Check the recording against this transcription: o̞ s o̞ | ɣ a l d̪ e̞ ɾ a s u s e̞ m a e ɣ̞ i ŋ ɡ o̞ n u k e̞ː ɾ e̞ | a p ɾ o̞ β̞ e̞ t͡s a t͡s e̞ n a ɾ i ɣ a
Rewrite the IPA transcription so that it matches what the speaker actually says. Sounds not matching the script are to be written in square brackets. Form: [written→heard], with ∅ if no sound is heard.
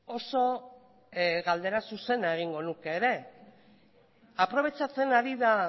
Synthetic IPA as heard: o̞ s o̞ | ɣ a l d̪ e̞ ɾ a s u s e̞ [m→n] a e ɣ̞ i ŋ ɡ o̞ n u k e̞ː ɾ e̞ | a p ɾ o̞ β̞ e̞ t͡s a t͡s e̞ n a ɾ i [ɣ→ð] a